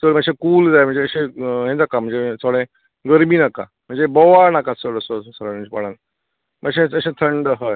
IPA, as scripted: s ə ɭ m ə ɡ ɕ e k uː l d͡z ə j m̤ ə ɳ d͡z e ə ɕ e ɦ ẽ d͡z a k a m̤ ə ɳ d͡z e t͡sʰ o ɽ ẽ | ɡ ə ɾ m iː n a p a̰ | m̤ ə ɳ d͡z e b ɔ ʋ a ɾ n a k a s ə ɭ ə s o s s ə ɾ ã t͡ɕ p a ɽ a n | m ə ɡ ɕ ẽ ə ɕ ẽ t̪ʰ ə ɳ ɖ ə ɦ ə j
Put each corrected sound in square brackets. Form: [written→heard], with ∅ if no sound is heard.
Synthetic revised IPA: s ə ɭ m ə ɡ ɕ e k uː l d͡z [ə→a] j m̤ ə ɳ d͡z e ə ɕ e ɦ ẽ d͡z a k a m̤ ə ɳ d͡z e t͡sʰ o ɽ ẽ | ɡ ə ɾ m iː n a [p→k] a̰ | m̤ ə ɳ d͡z e b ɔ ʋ a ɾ n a k a s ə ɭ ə s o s s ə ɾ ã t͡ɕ p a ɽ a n | m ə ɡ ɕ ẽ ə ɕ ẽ t̪ʰ ə ɳ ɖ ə ɦ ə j